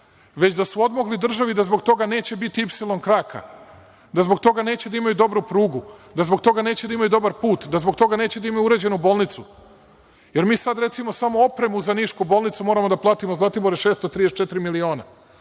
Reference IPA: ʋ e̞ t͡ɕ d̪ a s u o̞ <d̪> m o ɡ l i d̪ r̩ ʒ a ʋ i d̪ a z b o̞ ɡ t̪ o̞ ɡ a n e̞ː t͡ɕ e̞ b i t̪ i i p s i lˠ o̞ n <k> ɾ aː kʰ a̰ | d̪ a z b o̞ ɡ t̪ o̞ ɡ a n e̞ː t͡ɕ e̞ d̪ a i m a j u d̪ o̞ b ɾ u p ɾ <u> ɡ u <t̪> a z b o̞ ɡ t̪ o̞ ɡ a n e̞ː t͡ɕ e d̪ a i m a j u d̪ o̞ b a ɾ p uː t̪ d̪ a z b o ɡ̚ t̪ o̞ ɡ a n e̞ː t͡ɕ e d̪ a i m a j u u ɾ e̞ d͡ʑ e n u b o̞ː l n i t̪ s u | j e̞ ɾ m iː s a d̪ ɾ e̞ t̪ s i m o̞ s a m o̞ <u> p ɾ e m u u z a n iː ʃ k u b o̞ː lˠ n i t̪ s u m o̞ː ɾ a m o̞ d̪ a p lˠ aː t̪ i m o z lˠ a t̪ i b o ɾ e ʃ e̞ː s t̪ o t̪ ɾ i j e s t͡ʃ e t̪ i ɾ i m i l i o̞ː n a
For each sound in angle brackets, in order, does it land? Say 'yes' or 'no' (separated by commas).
yes, yes, no, no, no